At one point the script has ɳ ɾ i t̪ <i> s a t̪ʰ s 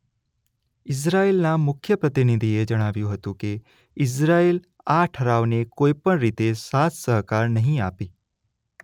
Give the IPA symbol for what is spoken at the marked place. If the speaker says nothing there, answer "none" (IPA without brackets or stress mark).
e